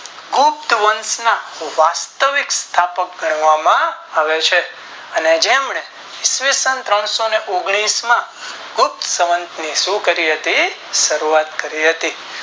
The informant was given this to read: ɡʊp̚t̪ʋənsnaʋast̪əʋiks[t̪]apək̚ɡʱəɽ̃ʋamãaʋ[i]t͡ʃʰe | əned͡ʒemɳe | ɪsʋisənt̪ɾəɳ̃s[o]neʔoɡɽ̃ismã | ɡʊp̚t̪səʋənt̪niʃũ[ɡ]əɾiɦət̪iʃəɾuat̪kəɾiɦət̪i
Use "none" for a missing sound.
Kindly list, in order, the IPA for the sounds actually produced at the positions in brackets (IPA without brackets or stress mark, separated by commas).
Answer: t̪ʰ, e, o, k